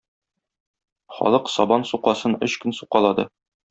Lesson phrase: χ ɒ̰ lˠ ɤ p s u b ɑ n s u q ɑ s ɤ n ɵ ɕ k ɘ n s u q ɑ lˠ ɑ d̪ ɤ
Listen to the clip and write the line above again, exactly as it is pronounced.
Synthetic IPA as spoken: χ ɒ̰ lˠ ɤ q s ɒ b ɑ n s u q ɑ s ɤ n ɵ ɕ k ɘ n s u q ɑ lˠ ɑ d̪ ɤ